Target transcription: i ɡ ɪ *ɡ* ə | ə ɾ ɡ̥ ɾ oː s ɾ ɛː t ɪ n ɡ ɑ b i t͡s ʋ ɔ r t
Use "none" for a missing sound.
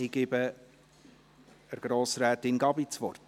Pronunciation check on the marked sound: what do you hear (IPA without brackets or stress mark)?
b